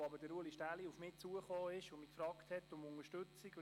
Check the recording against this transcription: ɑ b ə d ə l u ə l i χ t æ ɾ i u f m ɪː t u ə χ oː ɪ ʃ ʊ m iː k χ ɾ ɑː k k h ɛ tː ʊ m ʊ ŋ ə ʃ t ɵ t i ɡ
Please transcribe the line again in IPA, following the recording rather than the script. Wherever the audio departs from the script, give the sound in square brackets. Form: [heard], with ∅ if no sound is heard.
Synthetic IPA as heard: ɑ b ə d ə [ɾ] u ə l i [ʃ] t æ [l] i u f m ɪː [t͡s] u ə χ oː ɪ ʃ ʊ m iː k [f] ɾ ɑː k [t] h ɛ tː ʊ m ʊ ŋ ə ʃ t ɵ [t͡s] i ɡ